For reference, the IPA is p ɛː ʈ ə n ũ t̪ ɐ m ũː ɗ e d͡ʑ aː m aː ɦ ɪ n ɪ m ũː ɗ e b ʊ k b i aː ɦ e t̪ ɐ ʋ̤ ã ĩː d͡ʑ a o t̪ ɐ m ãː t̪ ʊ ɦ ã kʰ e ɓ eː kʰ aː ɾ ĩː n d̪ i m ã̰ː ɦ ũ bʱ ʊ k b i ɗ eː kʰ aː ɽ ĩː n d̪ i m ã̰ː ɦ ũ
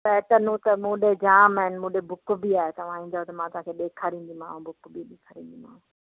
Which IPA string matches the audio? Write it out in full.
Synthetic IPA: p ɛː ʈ ə n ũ t̪ ɐ m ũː ɗ e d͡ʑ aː m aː ɦ ɪ n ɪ m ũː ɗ e b ʊ k b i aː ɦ e t̪ ɐ ʋ̤ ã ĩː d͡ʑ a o t̪ ɐ m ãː t̪ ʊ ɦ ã kʰ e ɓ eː kʰ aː ɾ ĩː n d̪ i m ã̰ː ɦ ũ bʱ ʊ k b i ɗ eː kʰ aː ɾ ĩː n d̪ i m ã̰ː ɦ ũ

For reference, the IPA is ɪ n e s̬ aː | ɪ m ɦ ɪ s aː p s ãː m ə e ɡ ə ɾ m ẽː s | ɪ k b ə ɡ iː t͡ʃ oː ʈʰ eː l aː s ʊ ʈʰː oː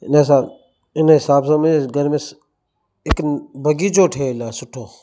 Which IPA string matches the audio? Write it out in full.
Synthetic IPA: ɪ n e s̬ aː | ɪ n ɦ ɪ s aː b s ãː m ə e ɡ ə ɾ m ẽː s | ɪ k b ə ɡ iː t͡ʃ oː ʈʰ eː l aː s ʊ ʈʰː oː

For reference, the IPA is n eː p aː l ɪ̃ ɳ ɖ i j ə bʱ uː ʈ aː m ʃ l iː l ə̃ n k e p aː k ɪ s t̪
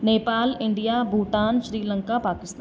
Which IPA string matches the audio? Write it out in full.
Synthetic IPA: n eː p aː l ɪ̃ ɳ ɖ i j a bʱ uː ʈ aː n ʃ ɾ iː l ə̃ ŋ k a p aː k ɪ s t̪

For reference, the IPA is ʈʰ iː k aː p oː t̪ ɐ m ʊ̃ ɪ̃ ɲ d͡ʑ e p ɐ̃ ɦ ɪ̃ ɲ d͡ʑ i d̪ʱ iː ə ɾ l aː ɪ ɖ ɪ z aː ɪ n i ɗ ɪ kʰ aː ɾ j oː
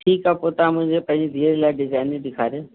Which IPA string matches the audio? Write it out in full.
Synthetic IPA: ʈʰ iː k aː p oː t̪ a m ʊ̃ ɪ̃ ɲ d͡ʑ e p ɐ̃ ɦ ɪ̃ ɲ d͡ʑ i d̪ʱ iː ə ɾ l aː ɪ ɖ ɪ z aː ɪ n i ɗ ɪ kʰ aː ɾ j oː

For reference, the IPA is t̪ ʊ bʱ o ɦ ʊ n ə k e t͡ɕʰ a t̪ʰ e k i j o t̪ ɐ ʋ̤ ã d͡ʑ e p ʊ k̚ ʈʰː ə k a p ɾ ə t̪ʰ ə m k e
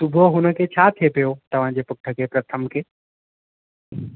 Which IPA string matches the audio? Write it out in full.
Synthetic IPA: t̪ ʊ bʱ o ɦ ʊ n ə k e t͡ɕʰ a t̪ʰ e p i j o t̪ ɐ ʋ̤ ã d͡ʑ e p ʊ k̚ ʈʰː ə k e p ɾ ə t̪ʰ ə m k e

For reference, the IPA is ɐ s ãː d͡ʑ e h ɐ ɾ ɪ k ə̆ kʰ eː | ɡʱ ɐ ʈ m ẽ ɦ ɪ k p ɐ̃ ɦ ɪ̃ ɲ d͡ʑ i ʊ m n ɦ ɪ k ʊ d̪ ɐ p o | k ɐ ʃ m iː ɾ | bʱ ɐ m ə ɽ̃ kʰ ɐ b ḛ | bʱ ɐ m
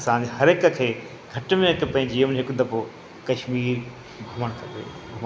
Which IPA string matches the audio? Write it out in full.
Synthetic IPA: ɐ s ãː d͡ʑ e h ɐ ɾ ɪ k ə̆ kʰ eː | ɡʱ ɐ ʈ m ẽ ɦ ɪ k p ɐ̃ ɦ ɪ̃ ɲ d͡ʑ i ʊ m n ɦ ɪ k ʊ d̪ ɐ p o | k ɐ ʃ m iː ɾ | bʱ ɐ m ə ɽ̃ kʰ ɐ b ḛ | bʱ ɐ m

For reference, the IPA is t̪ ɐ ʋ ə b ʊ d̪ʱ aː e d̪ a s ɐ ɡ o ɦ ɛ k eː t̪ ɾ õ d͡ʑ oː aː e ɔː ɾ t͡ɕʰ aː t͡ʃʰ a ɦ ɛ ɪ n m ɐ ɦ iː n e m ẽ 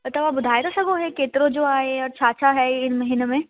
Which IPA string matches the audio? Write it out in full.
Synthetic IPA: t̪ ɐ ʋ a b ʊ d̪ʱ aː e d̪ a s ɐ ɡ o ɦ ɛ k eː t̪ ɾ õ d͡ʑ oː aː e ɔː ɾ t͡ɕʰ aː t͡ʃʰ a ɦ ɛ ɪ n m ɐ ɦ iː n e m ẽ

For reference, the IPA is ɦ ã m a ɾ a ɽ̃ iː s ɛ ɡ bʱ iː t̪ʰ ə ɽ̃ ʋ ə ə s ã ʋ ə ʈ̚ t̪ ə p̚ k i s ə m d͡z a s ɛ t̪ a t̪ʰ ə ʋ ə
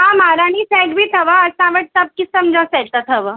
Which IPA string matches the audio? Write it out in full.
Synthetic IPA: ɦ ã m a ɾ a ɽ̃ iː s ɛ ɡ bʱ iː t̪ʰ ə ʋ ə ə s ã ʋ ə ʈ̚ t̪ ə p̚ k i s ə m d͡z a s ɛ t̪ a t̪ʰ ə ʋ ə

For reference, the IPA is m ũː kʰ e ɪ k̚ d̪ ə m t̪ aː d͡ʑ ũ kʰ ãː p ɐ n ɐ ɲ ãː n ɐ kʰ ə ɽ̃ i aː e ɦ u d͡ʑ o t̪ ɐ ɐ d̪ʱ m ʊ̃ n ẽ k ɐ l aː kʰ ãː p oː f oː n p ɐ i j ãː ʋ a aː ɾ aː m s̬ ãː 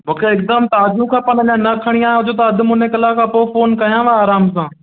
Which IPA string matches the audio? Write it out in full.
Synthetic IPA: m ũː kʰ e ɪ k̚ d̪ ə m t̪ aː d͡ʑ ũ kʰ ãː p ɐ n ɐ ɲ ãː n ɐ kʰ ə ɽ̃ i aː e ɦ ʊ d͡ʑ o t̪ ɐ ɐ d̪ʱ m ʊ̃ n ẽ k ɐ l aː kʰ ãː p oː f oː n k ɐ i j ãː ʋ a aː ɾ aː m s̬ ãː

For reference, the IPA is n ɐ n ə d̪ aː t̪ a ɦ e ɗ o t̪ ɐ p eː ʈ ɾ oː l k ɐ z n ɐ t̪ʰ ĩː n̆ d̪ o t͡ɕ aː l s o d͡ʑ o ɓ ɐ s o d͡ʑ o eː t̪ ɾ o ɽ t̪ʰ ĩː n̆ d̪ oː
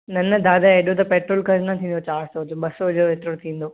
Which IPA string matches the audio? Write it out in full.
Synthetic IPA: n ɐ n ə d̪ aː d̪ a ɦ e ɗ o t̪ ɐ p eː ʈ ɾ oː l k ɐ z n ɐ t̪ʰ ĩː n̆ d̪ o t͡ɕ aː ɾ s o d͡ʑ o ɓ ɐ s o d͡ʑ o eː t̪ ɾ o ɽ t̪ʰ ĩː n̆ d̪ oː

